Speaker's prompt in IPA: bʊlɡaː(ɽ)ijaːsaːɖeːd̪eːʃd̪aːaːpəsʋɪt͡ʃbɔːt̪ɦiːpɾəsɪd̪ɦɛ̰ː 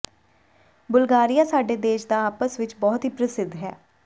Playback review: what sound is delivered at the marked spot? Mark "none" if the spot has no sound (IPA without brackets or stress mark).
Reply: ɾ